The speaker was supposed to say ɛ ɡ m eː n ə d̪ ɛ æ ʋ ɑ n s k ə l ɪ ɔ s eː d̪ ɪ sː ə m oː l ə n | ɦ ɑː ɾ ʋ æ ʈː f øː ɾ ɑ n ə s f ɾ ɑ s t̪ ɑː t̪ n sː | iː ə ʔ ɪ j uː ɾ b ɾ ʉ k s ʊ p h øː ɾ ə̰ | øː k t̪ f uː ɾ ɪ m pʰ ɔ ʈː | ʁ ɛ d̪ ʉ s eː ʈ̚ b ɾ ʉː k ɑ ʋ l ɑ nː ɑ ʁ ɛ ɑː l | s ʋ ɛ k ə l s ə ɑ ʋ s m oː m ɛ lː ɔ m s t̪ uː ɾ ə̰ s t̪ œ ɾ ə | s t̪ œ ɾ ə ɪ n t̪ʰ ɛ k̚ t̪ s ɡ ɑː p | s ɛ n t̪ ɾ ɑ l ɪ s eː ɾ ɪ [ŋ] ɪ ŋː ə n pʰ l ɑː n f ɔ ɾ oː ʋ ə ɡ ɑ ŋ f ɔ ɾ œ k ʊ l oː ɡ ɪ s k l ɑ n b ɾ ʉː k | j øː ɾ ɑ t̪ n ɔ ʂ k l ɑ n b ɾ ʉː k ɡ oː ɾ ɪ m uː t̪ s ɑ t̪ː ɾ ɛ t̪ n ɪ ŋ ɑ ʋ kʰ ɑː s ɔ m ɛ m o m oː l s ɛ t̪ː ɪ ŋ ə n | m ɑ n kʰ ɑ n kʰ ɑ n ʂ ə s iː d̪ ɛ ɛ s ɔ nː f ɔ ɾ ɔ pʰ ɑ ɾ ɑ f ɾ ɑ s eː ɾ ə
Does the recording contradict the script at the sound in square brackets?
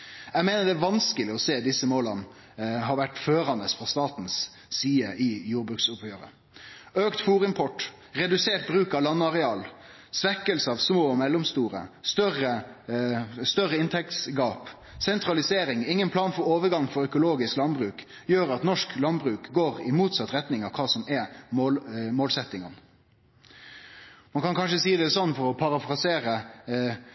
no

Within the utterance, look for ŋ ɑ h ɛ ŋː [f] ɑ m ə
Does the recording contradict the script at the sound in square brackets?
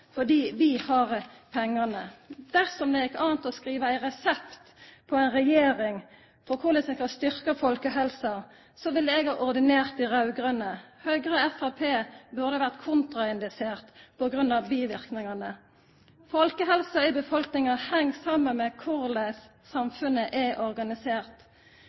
yes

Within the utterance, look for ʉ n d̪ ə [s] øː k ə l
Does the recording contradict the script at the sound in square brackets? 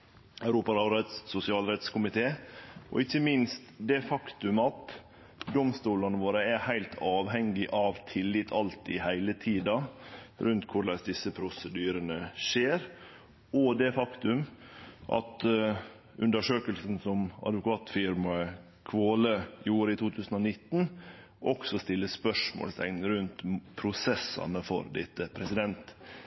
yes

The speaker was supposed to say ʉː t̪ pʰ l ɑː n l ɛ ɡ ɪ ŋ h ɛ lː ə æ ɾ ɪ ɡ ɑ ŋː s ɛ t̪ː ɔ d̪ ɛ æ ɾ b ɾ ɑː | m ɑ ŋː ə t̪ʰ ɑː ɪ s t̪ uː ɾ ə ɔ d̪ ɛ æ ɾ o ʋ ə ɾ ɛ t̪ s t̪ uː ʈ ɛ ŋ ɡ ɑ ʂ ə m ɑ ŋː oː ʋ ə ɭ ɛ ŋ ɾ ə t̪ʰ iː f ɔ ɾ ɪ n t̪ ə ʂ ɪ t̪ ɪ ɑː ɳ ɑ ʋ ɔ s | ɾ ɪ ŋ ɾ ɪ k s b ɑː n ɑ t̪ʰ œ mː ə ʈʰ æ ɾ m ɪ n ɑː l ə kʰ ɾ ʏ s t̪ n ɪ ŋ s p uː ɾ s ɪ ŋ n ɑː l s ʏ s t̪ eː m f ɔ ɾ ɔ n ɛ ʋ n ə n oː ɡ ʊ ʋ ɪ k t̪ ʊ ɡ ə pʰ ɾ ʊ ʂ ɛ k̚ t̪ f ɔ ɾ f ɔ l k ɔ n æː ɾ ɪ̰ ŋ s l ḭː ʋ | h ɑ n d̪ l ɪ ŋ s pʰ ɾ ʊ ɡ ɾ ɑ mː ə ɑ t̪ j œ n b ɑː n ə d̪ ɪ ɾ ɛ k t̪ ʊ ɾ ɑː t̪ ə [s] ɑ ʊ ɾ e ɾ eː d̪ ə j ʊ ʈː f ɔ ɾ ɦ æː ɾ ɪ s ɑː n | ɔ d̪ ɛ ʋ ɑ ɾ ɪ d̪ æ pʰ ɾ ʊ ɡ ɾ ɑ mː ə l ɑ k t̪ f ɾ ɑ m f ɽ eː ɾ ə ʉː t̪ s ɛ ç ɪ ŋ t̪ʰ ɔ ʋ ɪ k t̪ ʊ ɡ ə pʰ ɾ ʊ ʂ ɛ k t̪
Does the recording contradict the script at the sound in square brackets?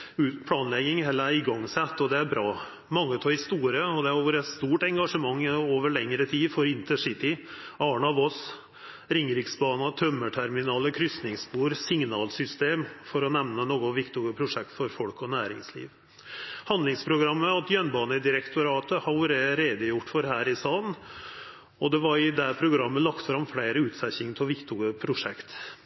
yes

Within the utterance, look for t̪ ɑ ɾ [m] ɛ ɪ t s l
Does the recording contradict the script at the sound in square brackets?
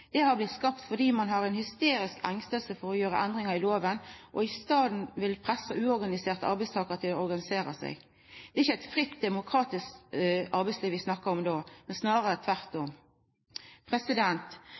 yes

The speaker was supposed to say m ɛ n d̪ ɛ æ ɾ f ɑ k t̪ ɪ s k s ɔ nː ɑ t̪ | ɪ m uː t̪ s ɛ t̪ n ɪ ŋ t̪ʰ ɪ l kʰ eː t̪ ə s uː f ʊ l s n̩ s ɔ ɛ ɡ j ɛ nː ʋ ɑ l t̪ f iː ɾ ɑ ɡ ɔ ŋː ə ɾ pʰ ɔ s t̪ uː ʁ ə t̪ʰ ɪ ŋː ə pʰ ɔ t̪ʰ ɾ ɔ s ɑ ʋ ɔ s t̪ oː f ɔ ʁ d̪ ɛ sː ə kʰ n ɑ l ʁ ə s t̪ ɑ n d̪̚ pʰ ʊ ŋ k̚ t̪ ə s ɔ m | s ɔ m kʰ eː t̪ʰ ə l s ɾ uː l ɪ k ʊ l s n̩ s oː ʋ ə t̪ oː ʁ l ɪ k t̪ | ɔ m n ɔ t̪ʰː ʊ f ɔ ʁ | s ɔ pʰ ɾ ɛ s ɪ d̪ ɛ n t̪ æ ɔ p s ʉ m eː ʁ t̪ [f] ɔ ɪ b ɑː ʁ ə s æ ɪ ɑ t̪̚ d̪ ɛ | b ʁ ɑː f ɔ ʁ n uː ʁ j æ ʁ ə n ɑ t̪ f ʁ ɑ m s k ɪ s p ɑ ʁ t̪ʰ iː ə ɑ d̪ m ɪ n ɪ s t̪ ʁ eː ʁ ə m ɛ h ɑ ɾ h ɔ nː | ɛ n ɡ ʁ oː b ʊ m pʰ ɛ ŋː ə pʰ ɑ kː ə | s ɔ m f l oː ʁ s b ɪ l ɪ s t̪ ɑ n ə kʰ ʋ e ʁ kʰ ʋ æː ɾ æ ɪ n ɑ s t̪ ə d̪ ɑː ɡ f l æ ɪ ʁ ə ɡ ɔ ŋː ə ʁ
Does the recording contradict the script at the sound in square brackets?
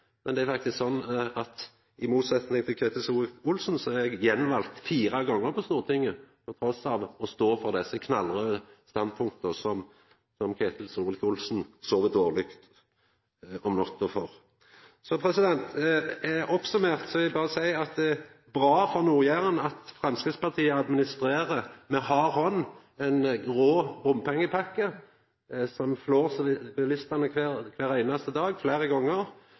yes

